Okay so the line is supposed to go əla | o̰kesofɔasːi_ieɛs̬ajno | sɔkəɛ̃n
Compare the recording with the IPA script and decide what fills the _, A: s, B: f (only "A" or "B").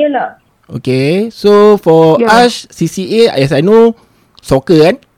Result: A